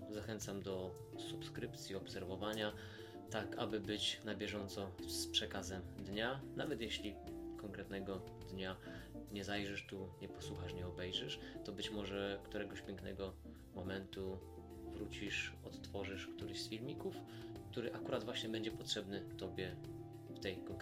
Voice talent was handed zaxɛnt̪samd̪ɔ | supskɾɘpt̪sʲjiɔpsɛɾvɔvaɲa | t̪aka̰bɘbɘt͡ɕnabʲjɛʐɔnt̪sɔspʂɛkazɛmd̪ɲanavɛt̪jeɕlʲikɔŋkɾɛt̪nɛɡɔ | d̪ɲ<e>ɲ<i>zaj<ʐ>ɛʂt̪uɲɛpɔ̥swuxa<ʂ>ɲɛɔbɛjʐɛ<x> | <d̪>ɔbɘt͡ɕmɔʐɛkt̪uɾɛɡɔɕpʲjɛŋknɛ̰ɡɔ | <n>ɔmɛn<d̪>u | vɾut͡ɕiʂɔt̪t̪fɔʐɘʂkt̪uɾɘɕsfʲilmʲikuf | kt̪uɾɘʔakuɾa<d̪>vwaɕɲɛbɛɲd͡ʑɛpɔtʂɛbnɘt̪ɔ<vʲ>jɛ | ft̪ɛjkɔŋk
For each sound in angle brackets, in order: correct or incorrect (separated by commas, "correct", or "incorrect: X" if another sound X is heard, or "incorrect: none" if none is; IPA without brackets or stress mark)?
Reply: incorrect: a, incorrect: ɛ, correct, correct, incorrect: ʂ, incorrect: t̪, incorrect: m, incorrect: t̪, correct, incorrect: bʲ